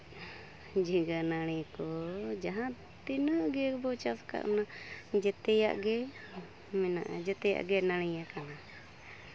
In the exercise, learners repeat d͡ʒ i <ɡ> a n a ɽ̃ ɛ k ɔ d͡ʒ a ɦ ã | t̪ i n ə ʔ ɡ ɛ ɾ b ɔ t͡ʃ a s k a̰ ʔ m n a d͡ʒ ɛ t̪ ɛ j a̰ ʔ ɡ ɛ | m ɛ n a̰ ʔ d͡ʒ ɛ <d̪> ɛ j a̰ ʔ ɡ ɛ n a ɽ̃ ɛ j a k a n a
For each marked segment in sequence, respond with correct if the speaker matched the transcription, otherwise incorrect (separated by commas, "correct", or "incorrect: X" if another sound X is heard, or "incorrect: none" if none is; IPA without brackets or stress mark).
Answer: correct, incorrect: t̪